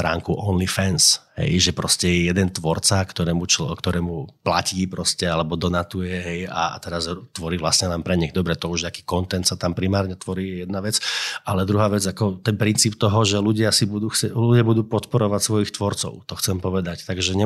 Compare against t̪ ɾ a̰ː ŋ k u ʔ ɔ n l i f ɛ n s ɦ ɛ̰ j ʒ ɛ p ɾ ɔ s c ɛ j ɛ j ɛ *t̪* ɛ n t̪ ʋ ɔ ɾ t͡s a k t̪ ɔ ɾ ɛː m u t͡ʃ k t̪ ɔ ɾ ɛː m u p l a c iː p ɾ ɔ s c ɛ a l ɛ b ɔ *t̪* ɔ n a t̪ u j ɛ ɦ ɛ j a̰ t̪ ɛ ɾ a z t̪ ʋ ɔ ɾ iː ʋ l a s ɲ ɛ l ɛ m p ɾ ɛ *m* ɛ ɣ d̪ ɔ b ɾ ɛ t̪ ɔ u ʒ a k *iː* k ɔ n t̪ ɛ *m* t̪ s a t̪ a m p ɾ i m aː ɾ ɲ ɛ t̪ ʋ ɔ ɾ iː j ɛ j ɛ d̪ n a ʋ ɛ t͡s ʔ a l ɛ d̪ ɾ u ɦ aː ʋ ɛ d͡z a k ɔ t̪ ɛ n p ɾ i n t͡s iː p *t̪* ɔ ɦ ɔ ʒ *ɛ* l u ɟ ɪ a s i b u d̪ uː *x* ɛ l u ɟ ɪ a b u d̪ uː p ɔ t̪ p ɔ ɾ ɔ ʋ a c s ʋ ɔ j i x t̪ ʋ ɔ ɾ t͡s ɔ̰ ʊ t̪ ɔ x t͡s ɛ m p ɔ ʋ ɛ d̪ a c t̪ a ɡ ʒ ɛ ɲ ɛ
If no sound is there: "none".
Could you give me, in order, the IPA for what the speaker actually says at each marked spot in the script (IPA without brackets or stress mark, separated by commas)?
d̪, d̪, ɲ, iː, n, t̪, ɛ, x